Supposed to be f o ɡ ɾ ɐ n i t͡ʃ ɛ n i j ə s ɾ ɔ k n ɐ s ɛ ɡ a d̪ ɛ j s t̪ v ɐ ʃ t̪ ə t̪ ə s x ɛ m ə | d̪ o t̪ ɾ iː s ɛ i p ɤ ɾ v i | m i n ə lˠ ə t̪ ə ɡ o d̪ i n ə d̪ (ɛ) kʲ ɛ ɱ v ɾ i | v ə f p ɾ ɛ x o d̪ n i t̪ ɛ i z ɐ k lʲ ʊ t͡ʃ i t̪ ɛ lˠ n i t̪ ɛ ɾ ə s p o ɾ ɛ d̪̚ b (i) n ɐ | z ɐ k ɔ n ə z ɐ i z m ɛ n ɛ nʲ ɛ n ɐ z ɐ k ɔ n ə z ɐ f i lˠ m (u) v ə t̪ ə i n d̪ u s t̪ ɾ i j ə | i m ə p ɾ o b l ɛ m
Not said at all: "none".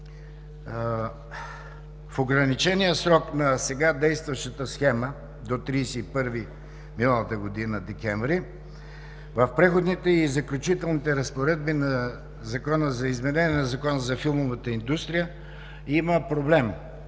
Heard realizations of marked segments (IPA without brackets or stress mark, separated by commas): ɛ, i, o